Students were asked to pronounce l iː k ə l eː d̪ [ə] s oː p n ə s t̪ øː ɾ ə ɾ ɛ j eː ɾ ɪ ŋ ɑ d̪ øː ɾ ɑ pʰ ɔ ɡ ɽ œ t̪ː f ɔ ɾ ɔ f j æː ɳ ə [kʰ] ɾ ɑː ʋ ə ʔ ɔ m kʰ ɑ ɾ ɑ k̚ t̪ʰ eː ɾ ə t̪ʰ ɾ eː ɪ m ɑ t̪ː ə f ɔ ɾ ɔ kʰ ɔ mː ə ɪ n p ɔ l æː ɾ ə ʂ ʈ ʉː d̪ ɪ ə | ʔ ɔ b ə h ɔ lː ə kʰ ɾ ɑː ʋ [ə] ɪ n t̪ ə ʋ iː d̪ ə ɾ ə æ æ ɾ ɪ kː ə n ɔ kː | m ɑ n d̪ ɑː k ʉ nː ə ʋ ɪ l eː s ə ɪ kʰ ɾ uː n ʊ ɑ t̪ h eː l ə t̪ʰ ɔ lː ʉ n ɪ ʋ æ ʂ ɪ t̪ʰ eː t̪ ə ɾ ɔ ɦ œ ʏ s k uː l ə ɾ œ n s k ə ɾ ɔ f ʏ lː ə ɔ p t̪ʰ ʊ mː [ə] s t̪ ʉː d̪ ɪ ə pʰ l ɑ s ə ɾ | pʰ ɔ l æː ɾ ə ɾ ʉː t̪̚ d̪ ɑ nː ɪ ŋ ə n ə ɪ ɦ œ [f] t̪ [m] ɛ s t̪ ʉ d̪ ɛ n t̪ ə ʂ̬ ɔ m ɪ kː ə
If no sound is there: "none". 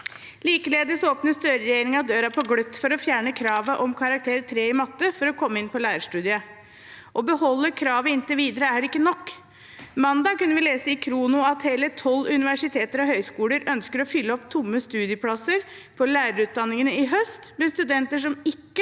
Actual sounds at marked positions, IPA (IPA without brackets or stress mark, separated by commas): ə, kʰ, ə, ə, s, m